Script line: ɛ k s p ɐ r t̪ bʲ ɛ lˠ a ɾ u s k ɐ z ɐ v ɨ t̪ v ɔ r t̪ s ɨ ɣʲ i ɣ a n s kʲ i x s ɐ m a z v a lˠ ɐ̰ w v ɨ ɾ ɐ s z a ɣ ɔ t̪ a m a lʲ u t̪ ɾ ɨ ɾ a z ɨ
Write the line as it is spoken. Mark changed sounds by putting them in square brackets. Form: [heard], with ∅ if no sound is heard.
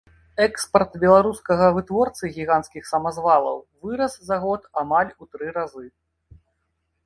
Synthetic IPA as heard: ɛ k s p ɐ r t̪ bʲ ɛ lˠ a ɾ u s k ɐ [ɣ] ɐ v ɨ t̪ v ɔ r t̪ s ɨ ɣʲ i ɣ a n s kʲ i x s ɐ m a z v a lˠ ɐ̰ w v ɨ ɾ ɐ s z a ɣ ɔ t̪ a m a lʲ u t̪ ɾ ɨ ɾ a z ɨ